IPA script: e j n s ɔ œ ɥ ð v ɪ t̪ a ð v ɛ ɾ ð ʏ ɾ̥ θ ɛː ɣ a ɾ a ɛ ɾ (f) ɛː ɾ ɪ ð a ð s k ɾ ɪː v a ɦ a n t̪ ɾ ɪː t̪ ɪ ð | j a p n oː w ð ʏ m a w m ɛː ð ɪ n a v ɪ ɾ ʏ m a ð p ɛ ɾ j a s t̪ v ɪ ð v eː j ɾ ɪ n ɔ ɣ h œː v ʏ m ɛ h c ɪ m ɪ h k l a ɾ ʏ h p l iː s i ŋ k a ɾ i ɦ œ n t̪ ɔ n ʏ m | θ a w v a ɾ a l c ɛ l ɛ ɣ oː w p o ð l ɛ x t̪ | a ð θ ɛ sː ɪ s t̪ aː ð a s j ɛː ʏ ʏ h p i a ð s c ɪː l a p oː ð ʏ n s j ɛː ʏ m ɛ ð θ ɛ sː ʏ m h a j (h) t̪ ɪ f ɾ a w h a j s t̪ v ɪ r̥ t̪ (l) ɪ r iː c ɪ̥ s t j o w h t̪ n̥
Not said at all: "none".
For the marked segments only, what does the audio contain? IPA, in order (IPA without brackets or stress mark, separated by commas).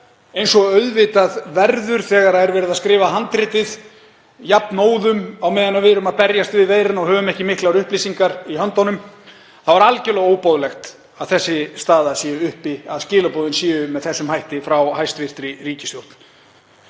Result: v, h, ɾ